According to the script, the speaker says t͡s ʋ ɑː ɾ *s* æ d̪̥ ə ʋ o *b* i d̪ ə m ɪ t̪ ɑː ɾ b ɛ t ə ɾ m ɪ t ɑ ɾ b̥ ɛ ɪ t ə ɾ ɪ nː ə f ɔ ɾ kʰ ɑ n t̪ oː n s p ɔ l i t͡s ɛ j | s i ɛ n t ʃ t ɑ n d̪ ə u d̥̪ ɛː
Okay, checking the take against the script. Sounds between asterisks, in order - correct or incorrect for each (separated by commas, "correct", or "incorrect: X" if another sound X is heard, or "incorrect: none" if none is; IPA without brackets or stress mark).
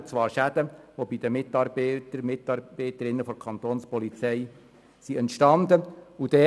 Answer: incorrect: ʃ, correct